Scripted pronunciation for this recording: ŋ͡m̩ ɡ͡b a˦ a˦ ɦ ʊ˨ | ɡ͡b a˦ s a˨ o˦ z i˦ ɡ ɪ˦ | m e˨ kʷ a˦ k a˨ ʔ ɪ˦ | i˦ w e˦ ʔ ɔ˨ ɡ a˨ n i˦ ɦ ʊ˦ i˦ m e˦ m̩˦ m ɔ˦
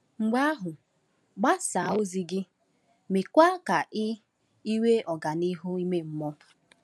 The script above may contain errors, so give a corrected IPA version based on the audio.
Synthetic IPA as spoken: ŋ͡m̩ ɡ͡b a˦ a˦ ɦ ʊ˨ | ɡ͡b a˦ s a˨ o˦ z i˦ ɡ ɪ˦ | m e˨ kʷ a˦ k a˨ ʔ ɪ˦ | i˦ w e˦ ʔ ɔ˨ ɡ a˨ n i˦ ɦ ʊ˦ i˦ m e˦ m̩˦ m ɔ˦